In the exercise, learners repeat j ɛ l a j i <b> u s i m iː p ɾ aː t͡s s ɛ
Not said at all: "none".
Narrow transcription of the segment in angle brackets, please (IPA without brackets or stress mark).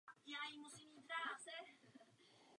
m